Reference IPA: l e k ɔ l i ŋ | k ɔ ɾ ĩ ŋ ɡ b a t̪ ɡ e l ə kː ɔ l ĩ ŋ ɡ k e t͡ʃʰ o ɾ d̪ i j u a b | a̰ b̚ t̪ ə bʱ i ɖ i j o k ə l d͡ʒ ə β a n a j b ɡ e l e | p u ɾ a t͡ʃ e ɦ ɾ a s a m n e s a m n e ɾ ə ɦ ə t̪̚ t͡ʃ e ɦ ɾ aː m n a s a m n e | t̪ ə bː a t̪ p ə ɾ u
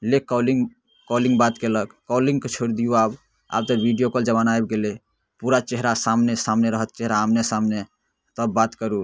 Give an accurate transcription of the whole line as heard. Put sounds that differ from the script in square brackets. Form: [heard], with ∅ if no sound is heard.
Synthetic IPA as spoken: l e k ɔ l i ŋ | k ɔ [l] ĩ ŋ ɡ b a t̪ [k] e l ə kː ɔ l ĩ ŋ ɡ k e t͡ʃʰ o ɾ d̪ i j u a b | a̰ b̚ t̪ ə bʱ i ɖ i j o k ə l d͡ʒ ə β a n a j b ɡ e l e | p u ɾ a t͡ʃ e ɦ ɾ a s a m n e s a m n e ɾ ə ɦ ə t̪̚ t͡ʃ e ɦ ɾ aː m n [e] s a m n e | t̪ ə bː a t̪ [k] ə ɾ u